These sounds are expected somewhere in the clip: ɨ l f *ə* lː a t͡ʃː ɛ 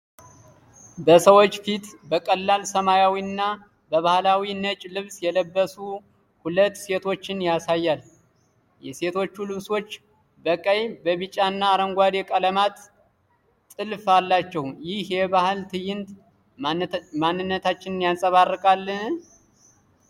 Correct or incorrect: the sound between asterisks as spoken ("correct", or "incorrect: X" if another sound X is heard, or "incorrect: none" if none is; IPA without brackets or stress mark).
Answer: incorrect: a